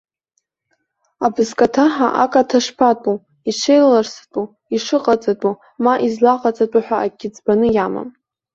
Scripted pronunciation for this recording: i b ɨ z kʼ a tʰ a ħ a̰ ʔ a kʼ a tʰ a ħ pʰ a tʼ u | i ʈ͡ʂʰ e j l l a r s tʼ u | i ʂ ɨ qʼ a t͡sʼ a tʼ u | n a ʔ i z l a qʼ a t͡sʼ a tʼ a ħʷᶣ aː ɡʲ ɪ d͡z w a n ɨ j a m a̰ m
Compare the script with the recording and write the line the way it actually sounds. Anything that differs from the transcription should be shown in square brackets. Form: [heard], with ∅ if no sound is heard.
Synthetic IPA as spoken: [a] b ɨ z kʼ a tʰ a ħ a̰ ʔ a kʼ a tʰ a [ʂ] pʰ a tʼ u | i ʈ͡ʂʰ e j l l a r s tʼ u | i ʂ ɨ qʼ a t͡sʼ a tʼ u | [m] a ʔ i z l a qʼ a t͡sʼ a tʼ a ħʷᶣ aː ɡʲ ɪ d͡z [b] a n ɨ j a m a̰ m